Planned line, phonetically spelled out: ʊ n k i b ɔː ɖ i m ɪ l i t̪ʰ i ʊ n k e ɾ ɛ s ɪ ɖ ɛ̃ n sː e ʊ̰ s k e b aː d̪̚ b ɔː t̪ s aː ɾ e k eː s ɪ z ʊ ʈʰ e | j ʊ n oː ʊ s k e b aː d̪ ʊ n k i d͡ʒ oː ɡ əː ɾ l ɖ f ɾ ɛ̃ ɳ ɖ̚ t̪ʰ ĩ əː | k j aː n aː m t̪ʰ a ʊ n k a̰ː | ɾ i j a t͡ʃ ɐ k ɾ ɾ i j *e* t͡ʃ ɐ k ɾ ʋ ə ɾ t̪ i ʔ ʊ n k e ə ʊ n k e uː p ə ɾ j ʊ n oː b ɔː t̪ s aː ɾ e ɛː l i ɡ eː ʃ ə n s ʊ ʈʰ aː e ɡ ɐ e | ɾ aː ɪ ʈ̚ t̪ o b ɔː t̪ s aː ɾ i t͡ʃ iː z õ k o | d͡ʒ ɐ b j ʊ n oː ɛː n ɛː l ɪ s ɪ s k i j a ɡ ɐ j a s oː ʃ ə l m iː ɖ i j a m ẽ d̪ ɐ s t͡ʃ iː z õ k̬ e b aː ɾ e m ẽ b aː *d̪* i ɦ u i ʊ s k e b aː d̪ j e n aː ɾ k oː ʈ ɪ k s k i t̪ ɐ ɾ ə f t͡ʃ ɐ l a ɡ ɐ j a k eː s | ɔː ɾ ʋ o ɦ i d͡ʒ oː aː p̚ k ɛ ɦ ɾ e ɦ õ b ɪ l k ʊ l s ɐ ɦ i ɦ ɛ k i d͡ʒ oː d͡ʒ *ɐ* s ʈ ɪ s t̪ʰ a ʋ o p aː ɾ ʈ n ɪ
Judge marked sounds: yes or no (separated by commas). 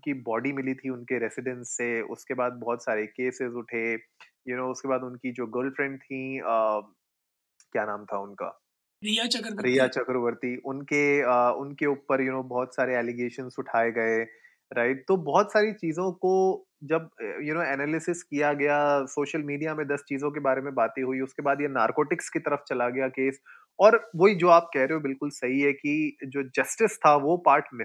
no, no, yes